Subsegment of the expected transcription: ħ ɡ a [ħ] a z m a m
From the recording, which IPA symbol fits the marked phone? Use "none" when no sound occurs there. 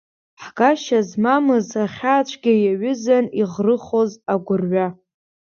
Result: ʃ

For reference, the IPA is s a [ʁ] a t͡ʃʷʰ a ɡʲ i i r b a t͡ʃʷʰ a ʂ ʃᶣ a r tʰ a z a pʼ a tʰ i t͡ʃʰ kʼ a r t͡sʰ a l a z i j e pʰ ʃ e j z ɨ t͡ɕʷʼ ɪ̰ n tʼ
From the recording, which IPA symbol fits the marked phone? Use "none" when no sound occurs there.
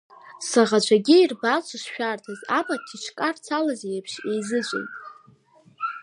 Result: ʁ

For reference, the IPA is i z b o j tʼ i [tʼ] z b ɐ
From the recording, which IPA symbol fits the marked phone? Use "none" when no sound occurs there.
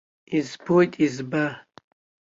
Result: none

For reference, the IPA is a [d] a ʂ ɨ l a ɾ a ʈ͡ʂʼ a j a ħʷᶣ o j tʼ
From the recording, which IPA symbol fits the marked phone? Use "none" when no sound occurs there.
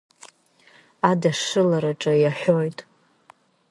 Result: d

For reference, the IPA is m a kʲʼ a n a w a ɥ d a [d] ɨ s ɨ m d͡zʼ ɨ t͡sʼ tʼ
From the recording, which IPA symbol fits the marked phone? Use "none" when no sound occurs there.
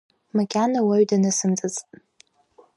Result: n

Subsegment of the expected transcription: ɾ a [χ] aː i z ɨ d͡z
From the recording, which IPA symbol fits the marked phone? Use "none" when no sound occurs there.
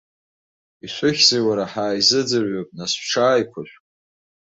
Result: ħ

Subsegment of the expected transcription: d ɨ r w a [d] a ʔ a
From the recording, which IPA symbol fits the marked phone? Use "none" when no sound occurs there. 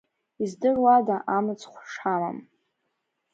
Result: d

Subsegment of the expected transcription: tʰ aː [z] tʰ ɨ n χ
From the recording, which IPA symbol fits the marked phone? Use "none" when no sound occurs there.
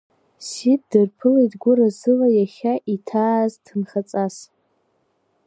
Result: z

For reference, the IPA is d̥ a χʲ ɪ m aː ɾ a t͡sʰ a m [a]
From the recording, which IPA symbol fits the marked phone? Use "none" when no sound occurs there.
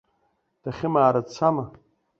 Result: a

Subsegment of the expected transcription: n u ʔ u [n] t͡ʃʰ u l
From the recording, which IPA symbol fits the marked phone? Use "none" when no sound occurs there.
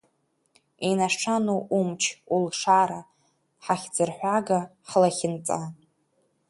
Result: m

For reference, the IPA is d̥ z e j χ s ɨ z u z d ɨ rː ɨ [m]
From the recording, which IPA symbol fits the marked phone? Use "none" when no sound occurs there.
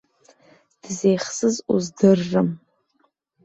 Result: m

